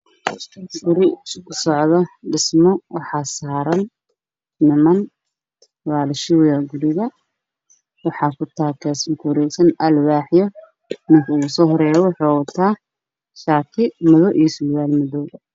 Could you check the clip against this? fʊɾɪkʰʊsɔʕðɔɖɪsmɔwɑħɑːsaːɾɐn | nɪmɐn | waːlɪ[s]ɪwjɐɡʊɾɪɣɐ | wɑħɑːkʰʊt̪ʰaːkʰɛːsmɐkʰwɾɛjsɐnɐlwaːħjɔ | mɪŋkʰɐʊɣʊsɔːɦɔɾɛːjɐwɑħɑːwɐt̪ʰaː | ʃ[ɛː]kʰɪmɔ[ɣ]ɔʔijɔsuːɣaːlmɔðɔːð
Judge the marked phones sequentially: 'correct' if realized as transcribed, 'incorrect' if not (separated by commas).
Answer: incorrect, incorrect, incorrect